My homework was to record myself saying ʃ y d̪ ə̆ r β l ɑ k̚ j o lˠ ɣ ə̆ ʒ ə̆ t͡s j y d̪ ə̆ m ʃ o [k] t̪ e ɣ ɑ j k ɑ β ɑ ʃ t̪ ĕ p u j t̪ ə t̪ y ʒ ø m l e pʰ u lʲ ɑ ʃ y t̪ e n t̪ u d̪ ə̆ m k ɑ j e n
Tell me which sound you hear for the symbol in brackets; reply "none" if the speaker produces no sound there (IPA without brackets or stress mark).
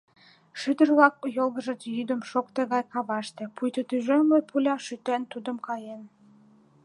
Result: k